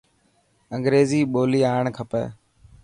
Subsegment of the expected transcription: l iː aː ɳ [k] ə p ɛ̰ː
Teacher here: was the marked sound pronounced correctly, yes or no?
no